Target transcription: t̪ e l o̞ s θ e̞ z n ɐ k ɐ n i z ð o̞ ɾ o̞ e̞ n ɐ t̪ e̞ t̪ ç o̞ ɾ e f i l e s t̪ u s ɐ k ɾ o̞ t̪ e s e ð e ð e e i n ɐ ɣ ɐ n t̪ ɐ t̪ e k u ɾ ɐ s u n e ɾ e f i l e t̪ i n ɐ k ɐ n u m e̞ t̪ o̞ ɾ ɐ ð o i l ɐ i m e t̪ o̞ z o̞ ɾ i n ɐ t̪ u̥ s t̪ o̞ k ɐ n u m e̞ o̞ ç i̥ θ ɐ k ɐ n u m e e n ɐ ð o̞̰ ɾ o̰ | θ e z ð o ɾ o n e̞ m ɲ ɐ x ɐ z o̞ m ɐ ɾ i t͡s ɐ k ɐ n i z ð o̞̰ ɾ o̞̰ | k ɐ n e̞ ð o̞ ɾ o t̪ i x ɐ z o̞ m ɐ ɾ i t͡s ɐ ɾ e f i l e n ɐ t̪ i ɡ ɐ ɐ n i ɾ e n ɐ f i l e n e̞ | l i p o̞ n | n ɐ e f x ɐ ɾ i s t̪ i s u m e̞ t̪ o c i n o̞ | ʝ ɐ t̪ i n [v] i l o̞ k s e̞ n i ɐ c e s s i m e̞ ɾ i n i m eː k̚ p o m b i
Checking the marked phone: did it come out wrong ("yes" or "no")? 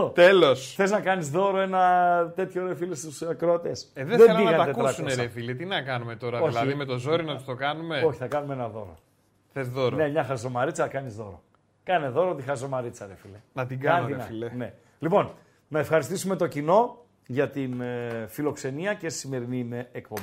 yes